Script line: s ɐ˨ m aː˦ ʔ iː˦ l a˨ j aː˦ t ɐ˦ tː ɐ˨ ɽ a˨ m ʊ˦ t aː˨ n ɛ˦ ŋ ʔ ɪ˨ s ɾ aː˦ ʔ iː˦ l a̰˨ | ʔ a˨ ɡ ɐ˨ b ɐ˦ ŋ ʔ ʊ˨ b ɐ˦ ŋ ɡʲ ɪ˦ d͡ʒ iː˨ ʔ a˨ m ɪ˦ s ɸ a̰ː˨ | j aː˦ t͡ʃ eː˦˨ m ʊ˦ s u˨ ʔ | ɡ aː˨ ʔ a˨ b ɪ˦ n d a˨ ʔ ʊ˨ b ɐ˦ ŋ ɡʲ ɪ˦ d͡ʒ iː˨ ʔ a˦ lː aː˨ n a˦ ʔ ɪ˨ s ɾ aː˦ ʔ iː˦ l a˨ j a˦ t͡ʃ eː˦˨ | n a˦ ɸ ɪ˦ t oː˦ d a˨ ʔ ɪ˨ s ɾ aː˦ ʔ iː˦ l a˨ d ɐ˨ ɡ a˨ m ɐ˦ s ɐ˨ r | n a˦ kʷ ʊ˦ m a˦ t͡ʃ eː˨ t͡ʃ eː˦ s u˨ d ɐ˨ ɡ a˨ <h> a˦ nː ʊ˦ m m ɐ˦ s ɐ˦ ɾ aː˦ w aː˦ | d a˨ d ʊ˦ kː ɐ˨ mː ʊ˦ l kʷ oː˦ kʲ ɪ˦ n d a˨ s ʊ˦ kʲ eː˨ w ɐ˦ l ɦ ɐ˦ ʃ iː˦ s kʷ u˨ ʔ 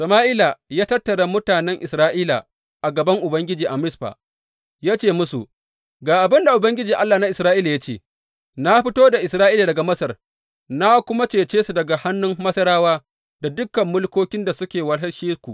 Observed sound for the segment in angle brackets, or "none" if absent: h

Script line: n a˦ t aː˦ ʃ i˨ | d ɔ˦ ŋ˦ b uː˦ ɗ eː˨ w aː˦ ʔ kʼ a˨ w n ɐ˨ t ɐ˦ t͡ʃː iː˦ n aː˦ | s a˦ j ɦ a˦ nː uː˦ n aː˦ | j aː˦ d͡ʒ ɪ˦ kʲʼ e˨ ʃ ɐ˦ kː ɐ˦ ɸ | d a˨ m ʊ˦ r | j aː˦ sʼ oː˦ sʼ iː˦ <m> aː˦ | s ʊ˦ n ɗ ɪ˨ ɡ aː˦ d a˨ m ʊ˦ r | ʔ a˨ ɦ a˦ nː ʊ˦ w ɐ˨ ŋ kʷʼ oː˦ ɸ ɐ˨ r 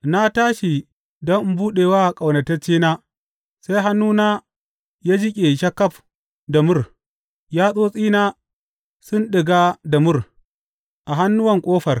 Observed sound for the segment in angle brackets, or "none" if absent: n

